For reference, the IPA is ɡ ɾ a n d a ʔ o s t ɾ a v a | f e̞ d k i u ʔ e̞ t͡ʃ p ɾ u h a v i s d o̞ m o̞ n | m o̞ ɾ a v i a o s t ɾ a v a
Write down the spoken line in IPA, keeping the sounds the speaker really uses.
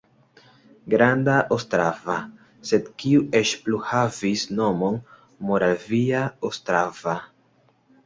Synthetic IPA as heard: ɡ ɾ a n d a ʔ o s t ɾ a v a | s e̞ d k i u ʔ e̞ t͡ʃ p l u h a v i s n o̞ m o̞ n | m o̞ ɾ a v i a o s t ɾ a v a